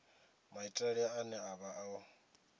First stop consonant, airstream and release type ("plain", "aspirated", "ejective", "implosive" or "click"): ejective